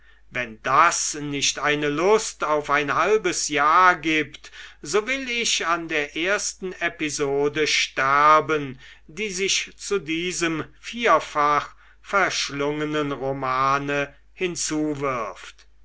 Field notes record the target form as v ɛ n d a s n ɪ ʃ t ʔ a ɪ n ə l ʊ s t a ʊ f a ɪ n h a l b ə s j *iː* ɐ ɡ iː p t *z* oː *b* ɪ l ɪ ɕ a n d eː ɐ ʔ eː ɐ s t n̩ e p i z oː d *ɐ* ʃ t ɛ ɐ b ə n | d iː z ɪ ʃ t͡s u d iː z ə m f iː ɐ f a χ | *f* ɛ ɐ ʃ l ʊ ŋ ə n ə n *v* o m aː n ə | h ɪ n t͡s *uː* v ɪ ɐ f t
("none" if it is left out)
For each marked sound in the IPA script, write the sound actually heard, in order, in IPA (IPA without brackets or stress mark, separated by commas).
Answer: aː, z, v, ə, f, ʁ, uː